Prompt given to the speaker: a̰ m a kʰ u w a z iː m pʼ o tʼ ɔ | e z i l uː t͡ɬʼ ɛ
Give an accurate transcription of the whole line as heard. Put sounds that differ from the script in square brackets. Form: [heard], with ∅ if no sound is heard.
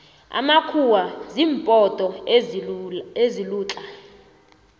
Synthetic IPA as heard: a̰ m a kʰ u w a z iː m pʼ [ɔ] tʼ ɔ | e z i l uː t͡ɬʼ [a]